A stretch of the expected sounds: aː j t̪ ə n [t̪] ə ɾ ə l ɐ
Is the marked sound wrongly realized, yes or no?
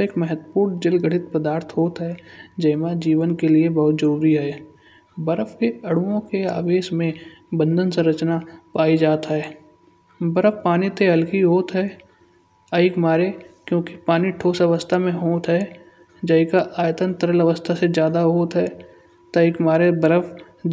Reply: no